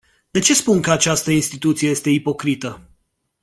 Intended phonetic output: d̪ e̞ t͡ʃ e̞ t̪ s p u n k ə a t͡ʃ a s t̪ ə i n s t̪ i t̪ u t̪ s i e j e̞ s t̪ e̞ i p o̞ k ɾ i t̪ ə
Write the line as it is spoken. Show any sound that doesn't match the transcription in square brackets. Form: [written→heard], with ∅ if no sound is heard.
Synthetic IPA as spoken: d̪ e̞ t͡ʃ e̞ [t̪→∅] s p u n k ə a t͡ʃ a s t̪ ə i n s t̪ i t̪ u t̪ s i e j e̞ s t̪ e̞ i p o̞ k ɾ i t̪ ə